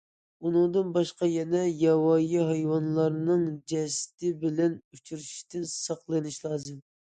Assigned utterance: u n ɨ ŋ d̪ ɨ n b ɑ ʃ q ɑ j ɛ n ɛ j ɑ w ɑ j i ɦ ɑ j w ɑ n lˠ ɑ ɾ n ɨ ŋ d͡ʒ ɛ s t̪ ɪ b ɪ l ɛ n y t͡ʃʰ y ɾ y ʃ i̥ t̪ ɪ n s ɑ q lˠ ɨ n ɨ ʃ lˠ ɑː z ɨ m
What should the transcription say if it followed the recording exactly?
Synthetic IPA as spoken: u n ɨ ŋ d̪ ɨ n b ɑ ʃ q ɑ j ɛ n ɛ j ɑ w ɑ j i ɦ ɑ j w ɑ n lˠ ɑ ɾ n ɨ ŋ d͡ʒ ɛ s t̪ ɪ b ɪ l ɛ n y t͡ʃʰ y ɾ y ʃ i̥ t̪ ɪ n s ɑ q lˠ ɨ n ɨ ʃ lˠ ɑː z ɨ m

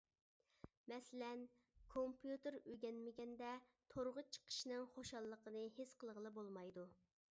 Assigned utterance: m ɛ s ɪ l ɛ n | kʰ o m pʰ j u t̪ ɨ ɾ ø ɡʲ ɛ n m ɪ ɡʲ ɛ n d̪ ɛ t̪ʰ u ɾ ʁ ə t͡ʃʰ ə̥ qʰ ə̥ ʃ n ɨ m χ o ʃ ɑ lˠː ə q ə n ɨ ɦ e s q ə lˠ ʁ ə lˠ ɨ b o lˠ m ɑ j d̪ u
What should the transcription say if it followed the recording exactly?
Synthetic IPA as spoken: m ɛ s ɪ l ɛ n | kʰ o m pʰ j u t̪ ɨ ɾ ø ɡʲ ɛ n m ɪ ɡʲ ɛ n d̪ ɛ t̪ʰ o ɾ ʁ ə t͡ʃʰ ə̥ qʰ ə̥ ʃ n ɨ ŋ χ o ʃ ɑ lˠː ə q ə n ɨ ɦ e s q ə lˠ ʁ ə lˠ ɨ b o lˠ m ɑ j d̪ u

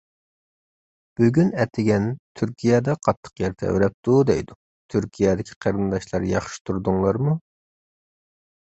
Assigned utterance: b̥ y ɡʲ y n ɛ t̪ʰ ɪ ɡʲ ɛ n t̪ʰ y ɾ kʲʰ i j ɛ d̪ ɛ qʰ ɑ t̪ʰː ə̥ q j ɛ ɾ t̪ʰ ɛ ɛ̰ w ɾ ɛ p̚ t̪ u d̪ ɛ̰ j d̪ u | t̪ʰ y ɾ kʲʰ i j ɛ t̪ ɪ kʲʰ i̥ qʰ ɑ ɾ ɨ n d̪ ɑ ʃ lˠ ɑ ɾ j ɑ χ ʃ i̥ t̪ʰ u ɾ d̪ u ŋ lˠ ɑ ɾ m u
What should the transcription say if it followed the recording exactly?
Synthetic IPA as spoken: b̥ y ɡʲ y n ɛ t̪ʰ ɪ ɡʲ ɛ n t̪ʰ y ɾ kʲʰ i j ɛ d̪ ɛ qʰ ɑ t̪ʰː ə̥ q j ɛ ɾ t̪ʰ ɛ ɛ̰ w ɾ ɛ p̚ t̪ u d̪ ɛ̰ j d̪ u | t̪ʰ y ɾ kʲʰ i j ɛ d̪ ɪ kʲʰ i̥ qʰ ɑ ɾ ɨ n d̪ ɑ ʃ lˠ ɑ ɾ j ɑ χ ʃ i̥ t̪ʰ u ɾ d̪ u ŋ lˠ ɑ ɾ m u

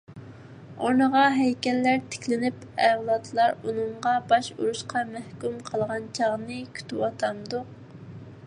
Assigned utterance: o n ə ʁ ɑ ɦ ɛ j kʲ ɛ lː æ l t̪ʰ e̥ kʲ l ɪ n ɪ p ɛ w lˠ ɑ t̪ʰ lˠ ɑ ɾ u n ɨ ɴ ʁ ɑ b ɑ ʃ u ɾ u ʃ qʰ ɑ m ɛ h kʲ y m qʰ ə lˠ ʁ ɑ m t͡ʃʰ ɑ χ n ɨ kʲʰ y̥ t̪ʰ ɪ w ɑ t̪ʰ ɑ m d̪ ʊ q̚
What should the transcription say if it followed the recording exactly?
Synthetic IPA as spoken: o n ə ʁ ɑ ɦ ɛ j kʲ ɛ lː æ ɾ t̪ʰ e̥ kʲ l ɪ n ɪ p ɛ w lˠ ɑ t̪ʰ lˠ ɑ ɾ u n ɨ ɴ ʁ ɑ b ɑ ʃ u ɾ u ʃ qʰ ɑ m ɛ h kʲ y m qʰ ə lˠ ʁ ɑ n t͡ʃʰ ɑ ʁ n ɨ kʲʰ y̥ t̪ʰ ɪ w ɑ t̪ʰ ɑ m d̪ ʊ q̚

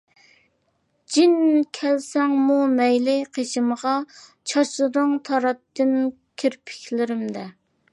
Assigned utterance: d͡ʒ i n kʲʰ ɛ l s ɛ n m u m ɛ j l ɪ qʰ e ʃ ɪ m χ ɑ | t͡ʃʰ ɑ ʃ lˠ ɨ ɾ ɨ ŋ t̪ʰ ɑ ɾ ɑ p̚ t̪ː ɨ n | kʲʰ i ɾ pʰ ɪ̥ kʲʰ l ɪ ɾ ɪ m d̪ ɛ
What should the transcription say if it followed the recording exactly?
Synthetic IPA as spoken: d͡ʒ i n kʲʰ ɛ l s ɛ ŋ m u m ɛ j l ɪ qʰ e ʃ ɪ m ʁ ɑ | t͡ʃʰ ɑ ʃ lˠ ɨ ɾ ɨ ŋ t̪ʰ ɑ ɾ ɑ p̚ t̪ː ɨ n | kʲʰ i ɾ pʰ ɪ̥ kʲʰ l ɪ ɾ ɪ m d̪ ɛ

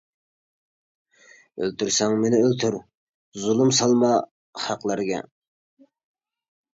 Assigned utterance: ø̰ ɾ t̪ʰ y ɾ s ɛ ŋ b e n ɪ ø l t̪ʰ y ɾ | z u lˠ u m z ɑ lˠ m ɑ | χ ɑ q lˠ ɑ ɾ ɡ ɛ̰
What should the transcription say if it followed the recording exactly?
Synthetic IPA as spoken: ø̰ l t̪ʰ y ɾ s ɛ ŋ m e n ɪ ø l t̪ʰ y ɾ | z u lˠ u m s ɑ lˠ m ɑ | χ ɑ q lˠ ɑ ɾ ɡ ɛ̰

